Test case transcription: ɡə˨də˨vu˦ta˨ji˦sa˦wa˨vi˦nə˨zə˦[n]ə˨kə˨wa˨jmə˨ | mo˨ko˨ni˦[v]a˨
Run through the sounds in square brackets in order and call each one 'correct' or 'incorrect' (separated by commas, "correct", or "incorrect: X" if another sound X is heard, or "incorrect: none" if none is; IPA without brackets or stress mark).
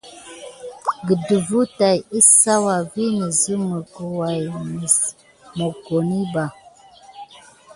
incorrect: m, incorrect: b